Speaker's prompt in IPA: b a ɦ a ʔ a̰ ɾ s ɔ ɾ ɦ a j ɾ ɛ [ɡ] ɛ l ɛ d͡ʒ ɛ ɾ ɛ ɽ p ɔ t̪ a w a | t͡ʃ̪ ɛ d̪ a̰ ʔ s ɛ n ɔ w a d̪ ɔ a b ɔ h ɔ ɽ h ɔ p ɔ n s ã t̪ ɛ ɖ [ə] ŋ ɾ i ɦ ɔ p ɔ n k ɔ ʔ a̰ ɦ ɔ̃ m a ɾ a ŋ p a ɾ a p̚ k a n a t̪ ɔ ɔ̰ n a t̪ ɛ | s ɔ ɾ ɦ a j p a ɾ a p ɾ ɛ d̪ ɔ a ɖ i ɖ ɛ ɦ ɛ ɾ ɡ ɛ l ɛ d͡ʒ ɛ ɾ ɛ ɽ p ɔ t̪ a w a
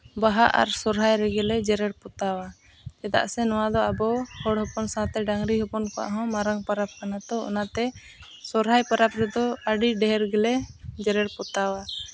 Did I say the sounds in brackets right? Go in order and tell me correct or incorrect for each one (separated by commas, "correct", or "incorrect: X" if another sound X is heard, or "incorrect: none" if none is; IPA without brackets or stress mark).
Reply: correct, incorrect: a